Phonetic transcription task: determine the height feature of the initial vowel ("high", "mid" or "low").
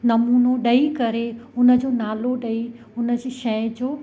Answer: low